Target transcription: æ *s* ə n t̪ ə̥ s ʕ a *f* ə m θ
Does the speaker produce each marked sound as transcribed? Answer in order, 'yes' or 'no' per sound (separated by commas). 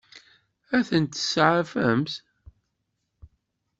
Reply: no, yes